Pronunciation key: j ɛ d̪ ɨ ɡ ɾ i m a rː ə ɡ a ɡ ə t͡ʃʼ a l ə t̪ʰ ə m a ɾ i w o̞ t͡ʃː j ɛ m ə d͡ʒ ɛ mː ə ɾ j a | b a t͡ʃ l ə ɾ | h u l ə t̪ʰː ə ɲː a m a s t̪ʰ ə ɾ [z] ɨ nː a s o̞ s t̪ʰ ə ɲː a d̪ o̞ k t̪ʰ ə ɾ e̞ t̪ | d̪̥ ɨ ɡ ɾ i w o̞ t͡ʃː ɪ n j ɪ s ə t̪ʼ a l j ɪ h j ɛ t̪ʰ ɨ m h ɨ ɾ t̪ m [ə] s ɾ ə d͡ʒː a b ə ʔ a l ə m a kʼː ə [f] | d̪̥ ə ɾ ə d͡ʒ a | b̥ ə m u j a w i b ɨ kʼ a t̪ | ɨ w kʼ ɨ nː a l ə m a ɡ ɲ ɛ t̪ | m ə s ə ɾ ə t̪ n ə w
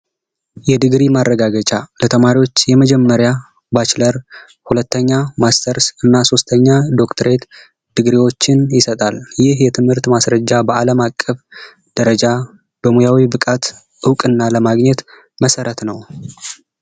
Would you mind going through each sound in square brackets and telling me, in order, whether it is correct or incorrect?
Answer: incorrect, incorrect, correct

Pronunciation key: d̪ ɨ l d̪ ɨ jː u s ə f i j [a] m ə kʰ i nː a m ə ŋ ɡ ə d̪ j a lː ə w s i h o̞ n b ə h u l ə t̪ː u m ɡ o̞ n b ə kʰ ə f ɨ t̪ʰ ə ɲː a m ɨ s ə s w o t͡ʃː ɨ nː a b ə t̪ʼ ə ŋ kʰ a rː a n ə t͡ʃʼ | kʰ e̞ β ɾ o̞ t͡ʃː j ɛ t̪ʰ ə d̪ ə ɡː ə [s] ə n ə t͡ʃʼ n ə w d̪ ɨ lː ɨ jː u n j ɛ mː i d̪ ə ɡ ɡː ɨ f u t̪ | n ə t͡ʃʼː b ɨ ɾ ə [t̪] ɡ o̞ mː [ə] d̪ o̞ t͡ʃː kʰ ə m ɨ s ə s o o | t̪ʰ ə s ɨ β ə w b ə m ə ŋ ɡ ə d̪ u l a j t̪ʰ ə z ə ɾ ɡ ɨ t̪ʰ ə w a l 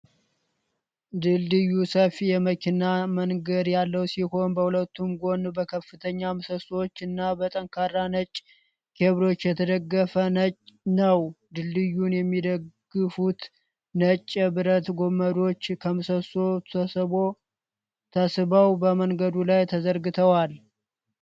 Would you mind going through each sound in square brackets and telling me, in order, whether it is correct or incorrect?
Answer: incorrect, incorrect, correct, correct

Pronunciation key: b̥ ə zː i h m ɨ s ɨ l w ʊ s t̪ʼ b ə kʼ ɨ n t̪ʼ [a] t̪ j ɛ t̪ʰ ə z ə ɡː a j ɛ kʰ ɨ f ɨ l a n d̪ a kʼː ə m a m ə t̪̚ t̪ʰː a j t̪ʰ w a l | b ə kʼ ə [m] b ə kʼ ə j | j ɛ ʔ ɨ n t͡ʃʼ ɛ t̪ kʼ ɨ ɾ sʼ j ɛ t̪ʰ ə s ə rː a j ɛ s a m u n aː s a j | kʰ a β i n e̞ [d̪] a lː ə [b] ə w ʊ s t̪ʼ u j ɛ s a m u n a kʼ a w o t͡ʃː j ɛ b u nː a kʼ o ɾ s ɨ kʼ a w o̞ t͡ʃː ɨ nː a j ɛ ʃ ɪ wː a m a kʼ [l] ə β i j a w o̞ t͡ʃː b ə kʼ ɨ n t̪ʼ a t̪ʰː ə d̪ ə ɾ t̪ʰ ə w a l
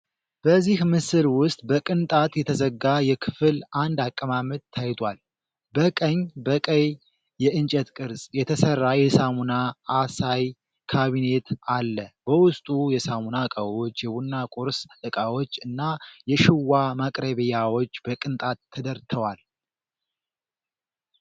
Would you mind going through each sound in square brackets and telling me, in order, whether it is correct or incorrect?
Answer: correct, incorrect, incorrect, correct, incorrect

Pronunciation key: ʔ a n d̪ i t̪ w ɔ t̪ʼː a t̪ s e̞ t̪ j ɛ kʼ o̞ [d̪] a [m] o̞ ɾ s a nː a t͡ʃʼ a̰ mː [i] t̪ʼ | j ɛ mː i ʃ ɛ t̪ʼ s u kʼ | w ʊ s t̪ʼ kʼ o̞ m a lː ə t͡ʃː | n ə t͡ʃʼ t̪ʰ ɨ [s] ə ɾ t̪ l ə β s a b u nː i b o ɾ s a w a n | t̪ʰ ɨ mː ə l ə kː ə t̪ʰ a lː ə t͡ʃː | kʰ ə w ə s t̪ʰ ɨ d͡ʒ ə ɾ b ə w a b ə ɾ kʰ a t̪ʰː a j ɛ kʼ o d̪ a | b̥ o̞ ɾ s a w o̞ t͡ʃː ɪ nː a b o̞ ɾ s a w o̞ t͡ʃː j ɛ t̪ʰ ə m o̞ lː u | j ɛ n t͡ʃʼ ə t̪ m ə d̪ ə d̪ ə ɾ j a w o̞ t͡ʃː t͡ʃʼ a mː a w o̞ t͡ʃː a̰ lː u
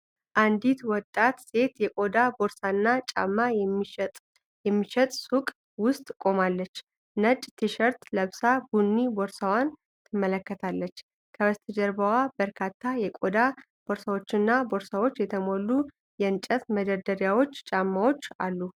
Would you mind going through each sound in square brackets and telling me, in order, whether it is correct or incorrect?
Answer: correct, incorrect, incorrect, incorrect

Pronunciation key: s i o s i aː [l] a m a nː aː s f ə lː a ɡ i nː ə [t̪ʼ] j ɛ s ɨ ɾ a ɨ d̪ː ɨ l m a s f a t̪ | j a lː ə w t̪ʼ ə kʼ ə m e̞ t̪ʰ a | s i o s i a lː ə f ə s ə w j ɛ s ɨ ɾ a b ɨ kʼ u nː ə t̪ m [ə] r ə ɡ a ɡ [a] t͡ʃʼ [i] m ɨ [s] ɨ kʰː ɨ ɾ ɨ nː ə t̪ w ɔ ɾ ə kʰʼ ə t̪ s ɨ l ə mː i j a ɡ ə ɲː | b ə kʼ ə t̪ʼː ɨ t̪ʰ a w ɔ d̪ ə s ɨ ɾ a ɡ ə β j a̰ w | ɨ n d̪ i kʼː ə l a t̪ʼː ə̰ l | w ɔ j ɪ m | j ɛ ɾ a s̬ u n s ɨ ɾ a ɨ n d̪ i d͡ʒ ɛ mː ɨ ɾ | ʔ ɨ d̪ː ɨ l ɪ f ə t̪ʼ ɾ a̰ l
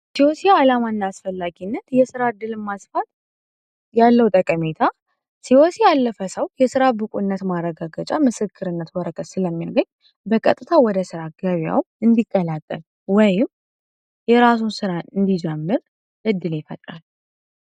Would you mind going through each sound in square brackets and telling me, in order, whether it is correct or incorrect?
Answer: correct, incorrect, incorrect, incorrect, incorrect, correct

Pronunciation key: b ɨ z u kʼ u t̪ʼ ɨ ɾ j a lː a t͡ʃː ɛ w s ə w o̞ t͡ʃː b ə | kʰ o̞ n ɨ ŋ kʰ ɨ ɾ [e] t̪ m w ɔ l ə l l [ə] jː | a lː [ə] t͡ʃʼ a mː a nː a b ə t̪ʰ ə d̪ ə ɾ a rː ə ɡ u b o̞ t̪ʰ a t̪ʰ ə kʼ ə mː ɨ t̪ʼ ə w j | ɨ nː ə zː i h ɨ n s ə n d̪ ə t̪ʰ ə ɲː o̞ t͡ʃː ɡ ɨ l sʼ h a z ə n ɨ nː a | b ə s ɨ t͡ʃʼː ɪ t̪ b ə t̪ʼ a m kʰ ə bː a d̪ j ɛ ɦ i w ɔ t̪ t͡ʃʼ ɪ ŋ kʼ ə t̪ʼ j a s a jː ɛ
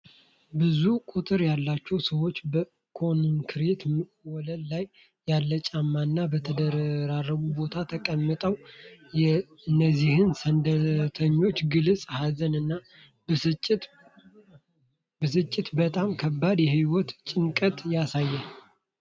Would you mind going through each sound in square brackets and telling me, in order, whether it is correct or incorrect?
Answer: correct, incorrect, correct

